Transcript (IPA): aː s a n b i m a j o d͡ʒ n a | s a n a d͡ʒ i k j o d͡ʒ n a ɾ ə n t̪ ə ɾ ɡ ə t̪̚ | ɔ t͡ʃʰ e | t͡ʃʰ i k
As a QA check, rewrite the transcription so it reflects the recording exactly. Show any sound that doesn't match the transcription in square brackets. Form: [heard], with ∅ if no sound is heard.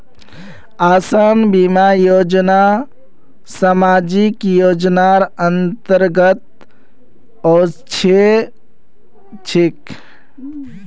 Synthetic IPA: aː s a n b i m a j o d͡ʒ n a | s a [m] a d͡ʒ i k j o d͡ʒ n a ɾ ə n t̪ ə ɾ ɡ ə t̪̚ | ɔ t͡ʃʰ e | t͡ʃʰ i k